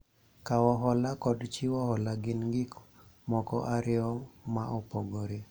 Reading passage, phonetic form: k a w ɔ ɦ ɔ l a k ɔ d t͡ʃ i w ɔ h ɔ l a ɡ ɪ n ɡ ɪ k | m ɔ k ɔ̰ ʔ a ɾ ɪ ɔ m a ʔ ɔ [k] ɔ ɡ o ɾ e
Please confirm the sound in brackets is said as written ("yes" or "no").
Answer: no